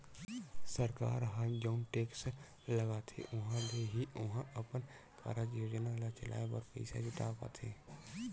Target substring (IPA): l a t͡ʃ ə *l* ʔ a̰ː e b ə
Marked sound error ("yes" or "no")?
no